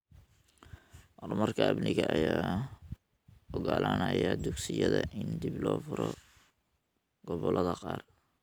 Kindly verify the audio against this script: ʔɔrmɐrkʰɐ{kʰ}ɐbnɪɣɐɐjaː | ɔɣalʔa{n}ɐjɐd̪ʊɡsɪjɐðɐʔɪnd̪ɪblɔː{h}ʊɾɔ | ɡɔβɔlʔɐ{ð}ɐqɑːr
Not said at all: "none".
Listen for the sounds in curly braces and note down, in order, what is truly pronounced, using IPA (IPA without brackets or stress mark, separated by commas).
none, n, f, ð